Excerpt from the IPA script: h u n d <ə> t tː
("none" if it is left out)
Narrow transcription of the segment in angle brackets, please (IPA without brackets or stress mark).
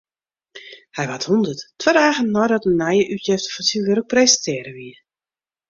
ə